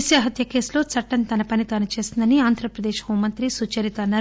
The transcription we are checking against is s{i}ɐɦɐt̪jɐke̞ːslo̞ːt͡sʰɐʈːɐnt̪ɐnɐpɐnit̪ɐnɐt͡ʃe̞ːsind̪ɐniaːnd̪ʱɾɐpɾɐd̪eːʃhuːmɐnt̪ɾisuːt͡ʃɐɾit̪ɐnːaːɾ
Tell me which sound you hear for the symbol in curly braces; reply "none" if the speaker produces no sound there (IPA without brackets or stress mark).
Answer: j